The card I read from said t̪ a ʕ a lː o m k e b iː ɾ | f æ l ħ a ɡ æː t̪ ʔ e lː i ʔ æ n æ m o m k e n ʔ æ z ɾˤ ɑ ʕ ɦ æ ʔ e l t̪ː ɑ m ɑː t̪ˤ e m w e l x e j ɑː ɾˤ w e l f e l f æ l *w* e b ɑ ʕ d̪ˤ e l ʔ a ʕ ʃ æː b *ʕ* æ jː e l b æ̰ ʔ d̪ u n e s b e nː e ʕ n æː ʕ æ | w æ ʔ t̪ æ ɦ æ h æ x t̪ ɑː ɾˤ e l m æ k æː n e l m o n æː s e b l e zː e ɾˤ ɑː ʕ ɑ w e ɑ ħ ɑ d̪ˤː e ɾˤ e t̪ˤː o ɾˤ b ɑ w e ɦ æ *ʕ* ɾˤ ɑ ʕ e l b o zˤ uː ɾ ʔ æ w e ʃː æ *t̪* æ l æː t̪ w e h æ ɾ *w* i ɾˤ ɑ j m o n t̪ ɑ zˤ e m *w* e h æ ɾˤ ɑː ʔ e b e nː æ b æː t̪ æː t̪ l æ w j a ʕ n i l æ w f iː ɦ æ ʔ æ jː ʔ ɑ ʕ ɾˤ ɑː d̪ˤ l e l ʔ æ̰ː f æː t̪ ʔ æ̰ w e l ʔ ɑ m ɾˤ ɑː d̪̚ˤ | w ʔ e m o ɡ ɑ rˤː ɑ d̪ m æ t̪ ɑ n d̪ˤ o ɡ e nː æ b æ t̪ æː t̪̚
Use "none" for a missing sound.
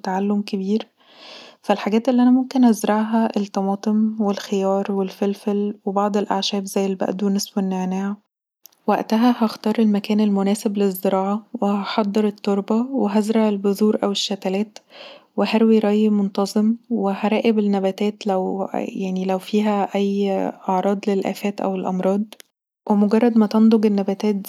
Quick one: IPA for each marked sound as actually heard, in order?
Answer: w, z, z, t̪, w, w

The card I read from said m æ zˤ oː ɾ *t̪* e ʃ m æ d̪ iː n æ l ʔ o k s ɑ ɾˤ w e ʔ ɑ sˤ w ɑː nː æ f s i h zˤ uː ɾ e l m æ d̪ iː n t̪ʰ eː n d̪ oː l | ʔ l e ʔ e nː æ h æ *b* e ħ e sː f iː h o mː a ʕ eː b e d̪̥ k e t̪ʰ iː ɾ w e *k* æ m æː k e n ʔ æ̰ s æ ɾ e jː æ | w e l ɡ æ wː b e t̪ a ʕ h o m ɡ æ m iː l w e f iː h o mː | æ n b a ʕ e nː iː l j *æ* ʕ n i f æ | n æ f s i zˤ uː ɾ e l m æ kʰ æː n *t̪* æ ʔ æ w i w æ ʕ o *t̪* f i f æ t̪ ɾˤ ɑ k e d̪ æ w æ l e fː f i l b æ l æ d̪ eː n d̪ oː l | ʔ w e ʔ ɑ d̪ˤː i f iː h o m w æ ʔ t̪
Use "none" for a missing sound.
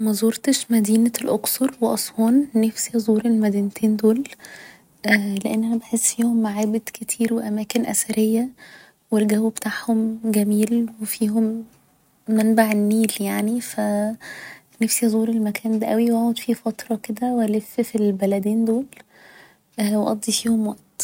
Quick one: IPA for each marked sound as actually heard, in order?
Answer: t̪, b, ʔ, a, d̪, d̪

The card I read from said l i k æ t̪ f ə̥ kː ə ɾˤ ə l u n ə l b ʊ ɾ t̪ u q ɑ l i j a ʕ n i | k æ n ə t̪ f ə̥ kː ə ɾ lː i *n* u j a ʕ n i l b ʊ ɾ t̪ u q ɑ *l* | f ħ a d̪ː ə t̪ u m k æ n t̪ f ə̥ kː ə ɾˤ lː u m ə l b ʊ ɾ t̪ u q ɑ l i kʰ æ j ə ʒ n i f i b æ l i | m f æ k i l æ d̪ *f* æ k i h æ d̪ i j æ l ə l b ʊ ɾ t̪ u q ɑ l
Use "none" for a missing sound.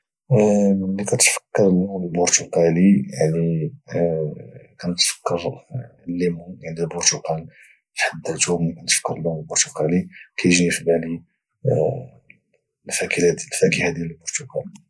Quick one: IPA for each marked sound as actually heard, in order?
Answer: m, l, f

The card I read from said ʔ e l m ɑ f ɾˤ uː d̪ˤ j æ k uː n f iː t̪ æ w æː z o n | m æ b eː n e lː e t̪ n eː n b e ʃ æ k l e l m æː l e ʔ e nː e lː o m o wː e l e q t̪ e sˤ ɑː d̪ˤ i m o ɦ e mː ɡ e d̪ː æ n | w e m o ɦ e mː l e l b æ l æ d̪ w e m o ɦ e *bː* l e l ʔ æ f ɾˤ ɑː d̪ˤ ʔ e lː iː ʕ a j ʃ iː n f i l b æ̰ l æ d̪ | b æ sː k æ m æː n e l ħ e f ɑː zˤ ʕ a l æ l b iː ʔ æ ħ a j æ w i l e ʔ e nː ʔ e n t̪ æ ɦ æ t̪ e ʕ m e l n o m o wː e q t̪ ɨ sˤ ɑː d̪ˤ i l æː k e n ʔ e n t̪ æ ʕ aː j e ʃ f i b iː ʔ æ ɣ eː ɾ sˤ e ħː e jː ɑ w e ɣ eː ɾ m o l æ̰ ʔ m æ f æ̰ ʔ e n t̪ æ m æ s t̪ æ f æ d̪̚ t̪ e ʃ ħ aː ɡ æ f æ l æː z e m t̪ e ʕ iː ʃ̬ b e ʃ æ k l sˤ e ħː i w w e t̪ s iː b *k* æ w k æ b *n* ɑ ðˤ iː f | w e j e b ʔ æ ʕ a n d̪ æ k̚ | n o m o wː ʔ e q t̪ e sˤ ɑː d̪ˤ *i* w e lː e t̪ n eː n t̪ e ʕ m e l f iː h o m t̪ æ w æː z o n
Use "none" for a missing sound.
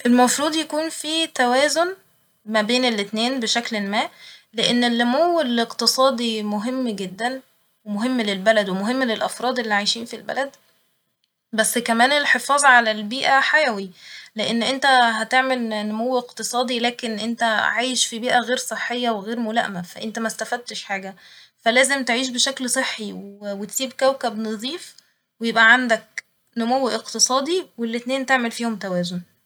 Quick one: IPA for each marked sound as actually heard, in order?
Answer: mː, k, n, i

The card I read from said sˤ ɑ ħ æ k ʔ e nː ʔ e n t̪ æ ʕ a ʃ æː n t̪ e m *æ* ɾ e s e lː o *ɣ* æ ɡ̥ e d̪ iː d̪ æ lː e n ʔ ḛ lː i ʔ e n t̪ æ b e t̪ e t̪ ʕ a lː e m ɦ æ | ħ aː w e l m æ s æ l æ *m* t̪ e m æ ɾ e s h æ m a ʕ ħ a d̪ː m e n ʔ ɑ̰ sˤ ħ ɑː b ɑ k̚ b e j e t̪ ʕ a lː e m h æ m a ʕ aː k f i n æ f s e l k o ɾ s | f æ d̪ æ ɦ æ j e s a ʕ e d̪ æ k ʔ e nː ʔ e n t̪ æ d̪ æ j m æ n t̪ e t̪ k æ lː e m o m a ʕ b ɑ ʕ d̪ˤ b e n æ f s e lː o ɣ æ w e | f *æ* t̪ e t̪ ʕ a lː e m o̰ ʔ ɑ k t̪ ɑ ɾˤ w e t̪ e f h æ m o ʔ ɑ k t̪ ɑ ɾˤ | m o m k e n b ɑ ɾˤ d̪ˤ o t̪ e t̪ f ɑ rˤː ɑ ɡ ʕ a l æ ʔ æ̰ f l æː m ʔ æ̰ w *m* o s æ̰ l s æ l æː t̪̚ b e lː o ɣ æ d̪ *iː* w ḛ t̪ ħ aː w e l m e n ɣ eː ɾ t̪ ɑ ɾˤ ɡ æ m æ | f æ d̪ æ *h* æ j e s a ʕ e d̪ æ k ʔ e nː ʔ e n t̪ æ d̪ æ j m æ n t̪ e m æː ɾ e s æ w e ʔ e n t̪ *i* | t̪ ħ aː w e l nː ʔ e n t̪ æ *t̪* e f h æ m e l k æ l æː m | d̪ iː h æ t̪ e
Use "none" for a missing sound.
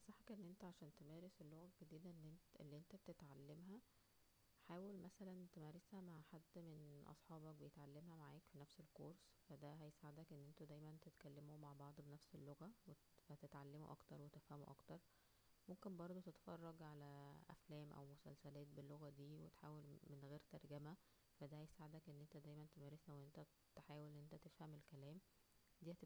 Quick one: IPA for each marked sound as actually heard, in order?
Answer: æː, ɣ, n, æ, m, iː, h, æ, t̪

